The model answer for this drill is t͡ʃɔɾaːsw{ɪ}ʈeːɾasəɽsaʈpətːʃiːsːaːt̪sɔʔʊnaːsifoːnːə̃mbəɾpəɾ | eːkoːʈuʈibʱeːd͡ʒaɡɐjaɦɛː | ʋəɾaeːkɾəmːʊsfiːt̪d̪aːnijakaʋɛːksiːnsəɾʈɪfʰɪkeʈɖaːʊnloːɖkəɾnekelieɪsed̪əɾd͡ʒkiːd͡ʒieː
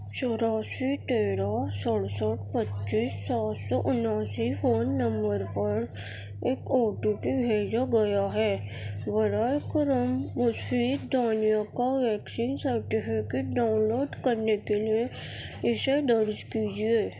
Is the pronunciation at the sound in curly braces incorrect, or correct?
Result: incorrect